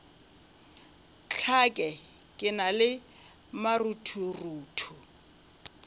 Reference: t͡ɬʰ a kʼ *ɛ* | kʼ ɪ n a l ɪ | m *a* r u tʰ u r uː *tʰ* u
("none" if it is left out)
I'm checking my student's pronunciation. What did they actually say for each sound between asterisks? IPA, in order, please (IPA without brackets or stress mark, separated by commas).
ɛ, a, tʰ